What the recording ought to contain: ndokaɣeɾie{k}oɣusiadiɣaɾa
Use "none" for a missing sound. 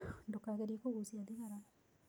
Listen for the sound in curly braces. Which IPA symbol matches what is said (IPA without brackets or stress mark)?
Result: k